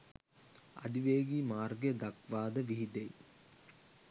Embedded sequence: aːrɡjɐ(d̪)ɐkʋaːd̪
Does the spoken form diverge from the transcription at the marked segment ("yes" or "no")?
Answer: no